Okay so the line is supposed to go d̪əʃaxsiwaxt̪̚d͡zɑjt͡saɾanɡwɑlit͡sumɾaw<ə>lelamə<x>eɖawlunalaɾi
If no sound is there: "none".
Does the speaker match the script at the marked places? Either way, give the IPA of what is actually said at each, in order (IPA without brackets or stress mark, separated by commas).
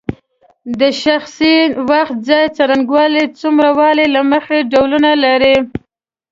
ɑ, x